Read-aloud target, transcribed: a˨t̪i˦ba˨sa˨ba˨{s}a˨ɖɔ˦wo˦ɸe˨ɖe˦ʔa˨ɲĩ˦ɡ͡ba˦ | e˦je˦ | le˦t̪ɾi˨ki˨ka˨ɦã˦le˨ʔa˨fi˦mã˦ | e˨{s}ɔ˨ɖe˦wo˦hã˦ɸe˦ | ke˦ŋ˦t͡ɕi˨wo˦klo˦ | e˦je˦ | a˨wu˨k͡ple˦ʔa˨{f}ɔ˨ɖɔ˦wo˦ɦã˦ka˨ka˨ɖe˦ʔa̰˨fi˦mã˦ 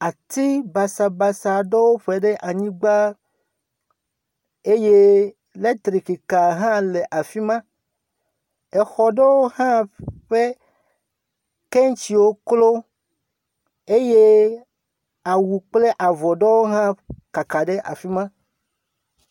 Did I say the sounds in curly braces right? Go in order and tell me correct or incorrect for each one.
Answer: correct, incorrect: x, incorrect: v

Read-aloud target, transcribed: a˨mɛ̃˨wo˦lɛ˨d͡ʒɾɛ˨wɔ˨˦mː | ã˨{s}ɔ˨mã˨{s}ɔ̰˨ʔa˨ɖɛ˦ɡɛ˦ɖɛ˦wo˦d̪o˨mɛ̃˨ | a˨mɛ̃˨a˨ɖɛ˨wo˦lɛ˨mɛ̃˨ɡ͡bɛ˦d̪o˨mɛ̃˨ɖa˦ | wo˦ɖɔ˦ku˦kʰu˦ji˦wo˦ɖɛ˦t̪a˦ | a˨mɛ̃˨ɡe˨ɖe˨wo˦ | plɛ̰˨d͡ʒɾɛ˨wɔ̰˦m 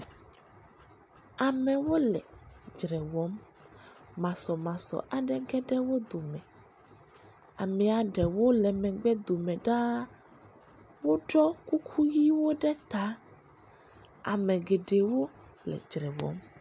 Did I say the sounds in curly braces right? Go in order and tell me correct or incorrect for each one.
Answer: correct, correct

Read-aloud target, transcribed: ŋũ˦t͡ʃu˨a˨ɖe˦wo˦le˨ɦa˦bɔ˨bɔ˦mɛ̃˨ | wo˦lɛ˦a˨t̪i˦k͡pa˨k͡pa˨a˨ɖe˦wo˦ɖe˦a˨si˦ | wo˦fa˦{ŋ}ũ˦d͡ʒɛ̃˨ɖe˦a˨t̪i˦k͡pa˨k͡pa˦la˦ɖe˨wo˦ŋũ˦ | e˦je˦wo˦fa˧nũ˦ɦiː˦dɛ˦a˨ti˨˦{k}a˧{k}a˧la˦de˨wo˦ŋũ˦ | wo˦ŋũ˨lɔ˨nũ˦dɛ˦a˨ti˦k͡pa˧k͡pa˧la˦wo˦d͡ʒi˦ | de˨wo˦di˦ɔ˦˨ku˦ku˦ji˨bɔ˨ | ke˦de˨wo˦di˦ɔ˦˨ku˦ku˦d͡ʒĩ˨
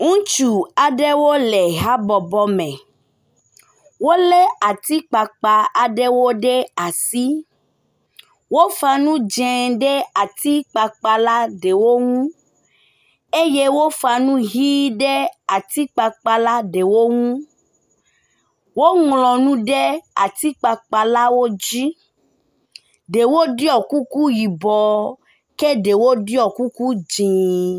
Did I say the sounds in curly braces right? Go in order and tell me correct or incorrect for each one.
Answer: incorrect: n, incorrect: k͡p, incorrect: k͡p

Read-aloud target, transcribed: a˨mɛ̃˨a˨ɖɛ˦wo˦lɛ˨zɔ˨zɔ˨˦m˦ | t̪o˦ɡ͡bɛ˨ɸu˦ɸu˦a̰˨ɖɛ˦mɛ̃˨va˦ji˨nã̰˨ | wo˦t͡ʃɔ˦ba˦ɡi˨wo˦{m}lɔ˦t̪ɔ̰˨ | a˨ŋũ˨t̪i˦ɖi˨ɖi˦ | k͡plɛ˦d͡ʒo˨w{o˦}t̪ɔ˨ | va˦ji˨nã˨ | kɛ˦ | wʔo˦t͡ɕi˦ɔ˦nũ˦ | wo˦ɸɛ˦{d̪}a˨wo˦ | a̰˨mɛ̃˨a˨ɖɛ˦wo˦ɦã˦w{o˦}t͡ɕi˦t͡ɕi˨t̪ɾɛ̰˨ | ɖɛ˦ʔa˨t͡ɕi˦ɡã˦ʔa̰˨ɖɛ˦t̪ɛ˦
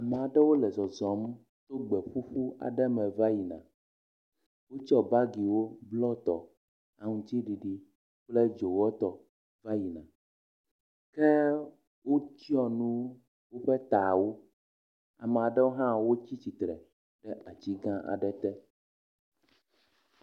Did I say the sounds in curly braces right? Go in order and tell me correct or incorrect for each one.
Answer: incorrect: b, incorrect: ɔ˦, incorrect: t̪, correct

